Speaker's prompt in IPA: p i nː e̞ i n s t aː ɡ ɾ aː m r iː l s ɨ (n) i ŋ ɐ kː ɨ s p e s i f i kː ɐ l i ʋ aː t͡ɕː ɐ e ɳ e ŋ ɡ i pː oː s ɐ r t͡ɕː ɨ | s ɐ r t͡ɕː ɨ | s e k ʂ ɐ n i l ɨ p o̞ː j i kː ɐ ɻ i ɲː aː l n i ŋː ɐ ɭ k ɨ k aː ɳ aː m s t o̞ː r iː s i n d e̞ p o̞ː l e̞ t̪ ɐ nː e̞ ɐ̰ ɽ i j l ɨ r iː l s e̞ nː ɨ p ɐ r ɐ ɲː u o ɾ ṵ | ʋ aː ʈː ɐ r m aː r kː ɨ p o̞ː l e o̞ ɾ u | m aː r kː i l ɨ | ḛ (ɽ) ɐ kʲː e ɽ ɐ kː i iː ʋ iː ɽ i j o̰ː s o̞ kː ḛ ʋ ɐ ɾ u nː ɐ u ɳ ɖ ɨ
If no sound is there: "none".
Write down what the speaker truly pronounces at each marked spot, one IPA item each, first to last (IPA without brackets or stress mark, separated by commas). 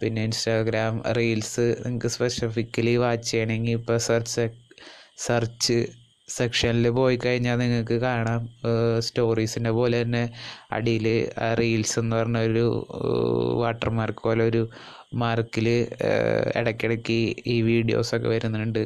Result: n, ɽ